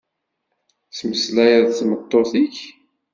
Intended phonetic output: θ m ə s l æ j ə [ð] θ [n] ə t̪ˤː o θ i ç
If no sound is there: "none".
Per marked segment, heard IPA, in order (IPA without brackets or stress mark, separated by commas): ð, m